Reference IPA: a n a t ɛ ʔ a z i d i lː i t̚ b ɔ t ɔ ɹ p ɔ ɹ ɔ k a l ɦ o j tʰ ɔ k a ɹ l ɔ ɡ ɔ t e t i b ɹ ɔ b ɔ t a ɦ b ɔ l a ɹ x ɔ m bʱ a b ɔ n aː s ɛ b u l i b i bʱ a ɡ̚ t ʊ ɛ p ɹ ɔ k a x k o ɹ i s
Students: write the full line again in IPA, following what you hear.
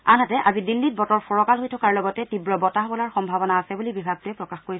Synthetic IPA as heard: a n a t ɛ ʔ a z i d i lː i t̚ b ɔ t ɔ ɹ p ɔ ɹ ɔ k a l ɦ o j tʰ ɔ k a ɹ l ɔ ɡ ɔ t ɛ t i b ɹ ɔ b ɔ t a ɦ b ɔ l a ɹ x ɔ m bʱ a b ɔ n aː s ɛ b u l i b i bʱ a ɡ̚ t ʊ ɛ p ɹ ɔ k a x k o ɹ i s